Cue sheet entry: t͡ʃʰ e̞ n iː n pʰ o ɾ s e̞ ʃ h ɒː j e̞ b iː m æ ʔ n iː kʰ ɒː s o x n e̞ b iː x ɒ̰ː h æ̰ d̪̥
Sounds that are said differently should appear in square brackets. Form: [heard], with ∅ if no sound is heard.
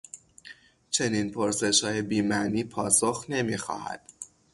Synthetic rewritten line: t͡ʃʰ e̞ n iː n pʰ o ɾ s e̞ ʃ h ɒː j e̞ b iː m æ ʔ n iː [pʰ] ɒː s o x n e̞ [m] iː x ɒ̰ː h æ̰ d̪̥

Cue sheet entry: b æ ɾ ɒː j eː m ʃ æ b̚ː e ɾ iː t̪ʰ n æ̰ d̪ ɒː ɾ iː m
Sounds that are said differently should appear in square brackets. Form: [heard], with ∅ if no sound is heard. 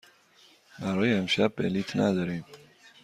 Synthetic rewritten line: b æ ɾ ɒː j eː m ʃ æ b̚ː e [l] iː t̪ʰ n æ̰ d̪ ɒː ɾ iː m

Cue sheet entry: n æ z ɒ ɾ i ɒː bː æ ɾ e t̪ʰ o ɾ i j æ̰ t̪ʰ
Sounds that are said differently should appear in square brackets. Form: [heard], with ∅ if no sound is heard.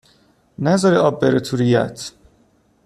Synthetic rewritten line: n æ z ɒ ɾ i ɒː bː [e] ɾ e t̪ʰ [u] ɾ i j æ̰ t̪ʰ

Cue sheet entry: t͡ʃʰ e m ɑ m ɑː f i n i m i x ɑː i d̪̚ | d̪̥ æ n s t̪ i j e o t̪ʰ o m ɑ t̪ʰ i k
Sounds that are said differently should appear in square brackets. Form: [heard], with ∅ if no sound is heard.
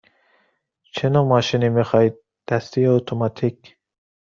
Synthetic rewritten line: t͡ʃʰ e [n] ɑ m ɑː [ʃ] i n i m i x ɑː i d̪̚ | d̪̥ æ [∅] s t̪ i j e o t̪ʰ o m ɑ t̪ʰ i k

